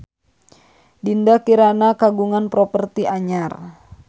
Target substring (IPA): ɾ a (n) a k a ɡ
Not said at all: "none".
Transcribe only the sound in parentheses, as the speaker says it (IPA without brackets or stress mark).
n